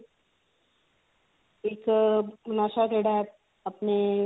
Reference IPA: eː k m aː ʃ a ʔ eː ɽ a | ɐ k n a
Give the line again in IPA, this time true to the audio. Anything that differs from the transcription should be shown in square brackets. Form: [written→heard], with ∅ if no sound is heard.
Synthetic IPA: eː k [m→n] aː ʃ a [ʔ→k] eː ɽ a | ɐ [k→p] n [a→e]

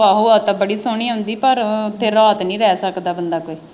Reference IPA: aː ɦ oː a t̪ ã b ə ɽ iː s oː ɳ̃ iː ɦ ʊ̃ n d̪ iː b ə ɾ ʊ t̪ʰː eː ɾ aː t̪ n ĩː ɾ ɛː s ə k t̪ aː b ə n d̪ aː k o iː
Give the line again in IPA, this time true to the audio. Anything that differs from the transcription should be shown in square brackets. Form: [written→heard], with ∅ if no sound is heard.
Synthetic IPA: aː ɦ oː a t̪ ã b ə ɽ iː s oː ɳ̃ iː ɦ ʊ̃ n d̪ iː [b→p] ə ɾ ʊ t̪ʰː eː ɾ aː t̪ n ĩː ɾ ɛː s ə k [t̪→d̪] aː b ə n d̪ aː k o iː

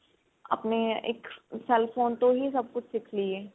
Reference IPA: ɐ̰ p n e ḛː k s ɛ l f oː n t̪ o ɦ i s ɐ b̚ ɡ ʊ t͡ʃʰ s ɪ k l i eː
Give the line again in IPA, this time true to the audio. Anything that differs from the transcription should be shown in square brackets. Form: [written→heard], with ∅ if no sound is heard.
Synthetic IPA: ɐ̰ p n e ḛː k s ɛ l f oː n t̪ o ɦ i s ɐ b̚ [ɡ→k] ʊ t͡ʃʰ s ɪ [k→kʰ] l i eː

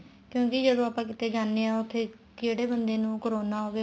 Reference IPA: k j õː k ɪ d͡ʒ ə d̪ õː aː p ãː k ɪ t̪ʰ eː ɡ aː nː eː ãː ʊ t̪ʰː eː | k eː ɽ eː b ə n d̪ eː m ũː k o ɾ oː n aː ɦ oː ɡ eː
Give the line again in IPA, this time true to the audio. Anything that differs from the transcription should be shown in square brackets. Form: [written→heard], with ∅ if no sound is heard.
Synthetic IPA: k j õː k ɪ d͡ʒ ə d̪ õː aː p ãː k ɪ [t̪ʰ→t̪] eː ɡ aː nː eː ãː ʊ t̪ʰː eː | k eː ɽ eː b ə n d̪ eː [m→n] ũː k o ɾ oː n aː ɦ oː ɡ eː

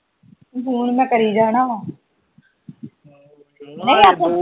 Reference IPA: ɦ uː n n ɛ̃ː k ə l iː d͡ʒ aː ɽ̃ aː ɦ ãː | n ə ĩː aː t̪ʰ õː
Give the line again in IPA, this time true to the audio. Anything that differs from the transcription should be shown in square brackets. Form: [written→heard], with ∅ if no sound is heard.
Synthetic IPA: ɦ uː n [n→m] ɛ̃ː k ə [l→ɾ] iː d͡ʒ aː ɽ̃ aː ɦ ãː | n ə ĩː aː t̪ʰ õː

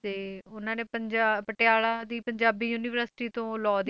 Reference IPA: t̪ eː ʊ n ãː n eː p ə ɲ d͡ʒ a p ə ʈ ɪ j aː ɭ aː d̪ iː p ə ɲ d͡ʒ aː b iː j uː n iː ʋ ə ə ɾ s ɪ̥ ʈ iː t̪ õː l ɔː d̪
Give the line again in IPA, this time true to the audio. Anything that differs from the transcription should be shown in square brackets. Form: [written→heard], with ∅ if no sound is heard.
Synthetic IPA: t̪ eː ʊ n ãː n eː p ə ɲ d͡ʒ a p ə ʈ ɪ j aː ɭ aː d̪ iː p ə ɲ d͡ʒ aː b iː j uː n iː ʋ ə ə ɾ s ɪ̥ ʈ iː t̪ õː l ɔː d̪

